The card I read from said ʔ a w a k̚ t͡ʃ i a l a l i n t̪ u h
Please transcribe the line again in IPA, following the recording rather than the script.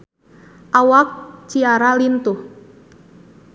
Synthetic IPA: ʔ a w a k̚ t͡ʃ i a ɾ a l i n t̪ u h